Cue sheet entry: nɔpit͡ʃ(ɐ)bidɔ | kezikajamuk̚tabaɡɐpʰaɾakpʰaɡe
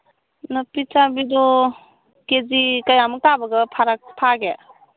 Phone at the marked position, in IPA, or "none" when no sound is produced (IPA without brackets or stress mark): a